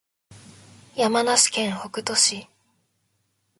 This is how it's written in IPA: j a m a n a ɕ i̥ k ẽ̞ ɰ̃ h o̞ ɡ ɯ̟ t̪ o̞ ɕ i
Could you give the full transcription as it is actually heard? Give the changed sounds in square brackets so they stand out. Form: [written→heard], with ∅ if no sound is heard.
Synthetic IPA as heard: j a m a n a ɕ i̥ k ẽ̞ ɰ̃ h o̞ [ɡ→k] ɯ̟ t̪ o̞ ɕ i